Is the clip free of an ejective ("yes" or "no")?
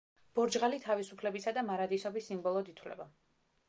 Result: yes